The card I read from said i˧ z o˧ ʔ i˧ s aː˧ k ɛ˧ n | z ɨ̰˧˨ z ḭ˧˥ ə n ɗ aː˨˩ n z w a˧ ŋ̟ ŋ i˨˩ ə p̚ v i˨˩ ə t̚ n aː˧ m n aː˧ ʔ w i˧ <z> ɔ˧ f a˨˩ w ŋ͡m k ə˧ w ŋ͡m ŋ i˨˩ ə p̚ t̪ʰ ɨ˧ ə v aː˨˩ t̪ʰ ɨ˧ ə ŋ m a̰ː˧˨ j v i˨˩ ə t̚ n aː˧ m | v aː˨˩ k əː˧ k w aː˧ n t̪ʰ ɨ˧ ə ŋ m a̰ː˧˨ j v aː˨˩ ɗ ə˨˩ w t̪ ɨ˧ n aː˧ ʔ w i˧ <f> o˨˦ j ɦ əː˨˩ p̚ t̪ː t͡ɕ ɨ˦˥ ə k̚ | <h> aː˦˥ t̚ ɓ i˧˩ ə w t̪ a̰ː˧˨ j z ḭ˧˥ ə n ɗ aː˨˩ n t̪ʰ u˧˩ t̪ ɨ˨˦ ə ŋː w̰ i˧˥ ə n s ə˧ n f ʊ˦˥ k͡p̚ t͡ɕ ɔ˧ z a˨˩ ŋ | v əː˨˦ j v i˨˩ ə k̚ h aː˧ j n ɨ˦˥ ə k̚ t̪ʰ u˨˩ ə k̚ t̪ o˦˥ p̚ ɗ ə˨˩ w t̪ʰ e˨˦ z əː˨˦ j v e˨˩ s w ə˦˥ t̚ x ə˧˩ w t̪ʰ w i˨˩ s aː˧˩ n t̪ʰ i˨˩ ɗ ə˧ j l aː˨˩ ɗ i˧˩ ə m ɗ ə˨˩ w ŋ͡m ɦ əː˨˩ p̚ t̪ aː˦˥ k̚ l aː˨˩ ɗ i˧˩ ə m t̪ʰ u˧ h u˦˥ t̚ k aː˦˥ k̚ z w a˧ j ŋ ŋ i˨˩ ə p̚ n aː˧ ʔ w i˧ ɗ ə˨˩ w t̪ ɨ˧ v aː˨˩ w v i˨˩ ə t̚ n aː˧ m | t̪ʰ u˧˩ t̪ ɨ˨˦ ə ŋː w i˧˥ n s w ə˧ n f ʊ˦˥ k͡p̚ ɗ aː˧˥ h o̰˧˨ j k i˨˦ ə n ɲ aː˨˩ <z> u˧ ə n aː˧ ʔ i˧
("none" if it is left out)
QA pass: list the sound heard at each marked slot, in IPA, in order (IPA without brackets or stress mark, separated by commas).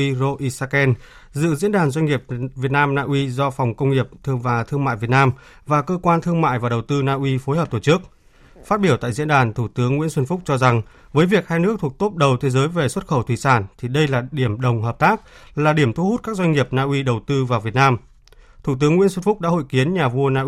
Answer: z, f, f, v